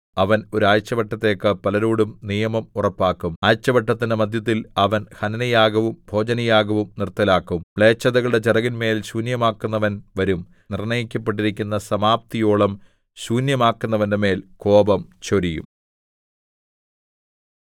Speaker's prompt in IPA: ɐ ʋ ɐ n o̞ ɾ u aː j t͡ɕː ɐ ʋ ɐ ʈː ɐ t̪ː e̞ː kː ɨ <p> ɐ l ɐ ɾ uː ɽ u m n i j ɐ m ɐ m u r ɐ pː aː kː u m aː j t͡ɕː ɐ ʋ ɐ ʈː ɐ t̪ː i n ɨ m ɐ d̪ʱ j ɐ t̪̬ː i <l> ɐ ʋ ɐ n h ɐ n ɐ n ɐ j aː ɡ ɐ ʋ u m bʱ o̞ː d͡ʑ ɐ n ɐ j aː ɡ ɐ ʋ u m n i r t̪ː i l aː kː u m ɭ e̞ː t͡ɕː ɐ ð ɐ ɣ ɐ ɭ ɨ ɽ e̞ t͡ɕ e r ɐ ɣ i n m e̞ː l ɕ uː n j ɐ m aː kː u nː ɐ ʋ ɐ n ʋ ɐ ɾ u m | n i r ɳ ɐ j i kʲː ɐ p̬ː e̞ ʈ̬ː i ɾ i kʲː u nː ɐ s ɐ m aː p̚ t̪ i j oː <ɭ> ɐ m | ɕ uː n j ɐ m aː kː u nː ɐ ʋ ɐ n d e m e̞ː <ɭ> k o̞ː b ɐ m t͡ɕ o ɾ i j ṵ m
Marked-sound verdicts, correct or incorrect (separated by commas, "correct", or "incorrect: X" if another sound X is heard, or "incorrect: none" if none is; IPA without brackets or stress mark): correct, correct, correct, incorrect: l